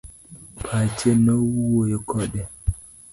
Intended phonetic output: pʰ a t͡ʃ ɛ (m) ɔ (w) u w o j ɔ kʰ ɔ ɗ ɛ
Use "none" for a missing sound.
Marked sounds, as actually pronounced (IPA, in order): n, w

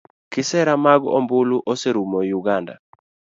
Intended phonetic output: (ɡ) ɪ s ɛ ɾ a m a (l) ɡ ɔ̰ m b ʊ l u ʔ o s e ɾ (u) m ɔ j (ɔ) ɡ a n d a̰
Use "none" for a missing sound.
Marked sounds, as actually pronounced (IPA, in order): k, none, u, u

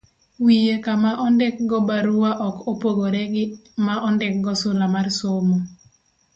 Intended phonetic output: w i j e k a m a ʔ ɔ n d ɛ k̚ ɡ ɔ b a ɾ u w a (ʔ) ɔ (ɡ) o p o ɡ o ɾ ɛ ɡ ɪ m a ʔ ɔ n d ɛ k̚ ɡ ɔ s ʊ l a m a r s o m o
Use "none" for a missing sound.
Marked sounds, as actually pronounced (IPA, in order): ʔ, k

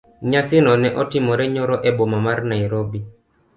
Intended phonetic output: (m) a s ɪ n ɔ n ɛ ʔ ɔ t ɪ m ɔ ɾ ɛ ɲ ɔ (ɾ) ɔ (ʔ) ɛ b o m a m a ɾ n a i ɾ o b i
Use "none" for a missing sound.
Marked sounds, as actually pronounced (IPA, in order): ɲ, ɾ, ʔ

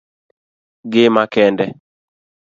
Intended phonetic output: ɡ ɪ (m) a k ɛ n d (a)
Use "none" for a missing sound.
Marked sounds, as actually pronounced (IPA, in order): m, ɛ

